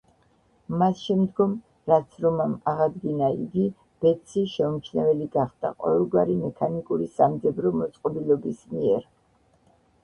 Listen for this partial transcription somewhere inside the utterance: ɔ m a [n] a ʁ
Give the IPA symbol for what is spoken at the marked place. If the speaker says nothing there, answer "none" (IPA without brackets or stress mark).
m